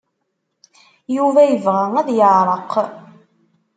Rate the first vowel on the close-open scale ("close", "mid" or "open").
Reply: close